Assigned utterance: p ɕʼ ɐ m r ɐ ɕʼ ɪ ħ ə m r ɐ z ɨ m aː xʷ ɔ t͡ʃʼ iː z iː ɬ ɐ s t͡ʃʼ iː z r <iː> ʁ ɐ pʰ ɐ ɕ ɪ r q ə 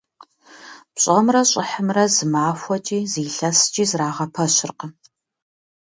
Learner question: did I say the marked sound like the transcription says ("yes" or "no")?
no